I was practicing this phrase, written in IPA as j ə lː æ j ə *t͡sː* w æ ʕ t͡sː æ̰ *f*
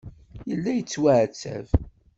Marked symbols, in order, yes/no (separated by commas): yes, no